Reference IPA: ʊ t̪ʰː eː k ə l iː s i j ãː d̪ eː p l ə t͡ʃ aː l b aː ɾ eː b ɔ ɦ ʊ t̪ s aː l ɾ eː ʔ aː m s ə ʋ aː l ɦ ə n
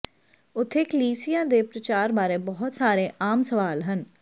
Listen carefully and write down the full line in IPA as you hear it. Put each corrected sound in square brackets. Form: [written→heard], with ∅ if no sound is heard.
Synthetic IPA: ʊ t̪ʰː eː k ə l iː s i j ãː d̪ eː p [l→ɾ] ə t͡ʃ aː [l→ɾ] b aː ɾ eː b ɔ ɦ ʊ t̪ s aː [l→∅] ɾ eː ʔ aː m s ə ʋ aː l ɦ ə n